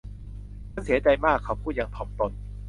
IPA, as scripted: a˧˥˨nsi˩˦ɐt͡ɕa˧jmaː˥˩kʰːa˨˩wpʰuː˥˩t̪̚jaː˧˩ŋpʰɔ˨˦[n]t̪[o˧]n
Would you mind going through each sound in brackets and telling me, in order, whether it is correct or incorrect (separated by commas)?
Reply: incorrect, correct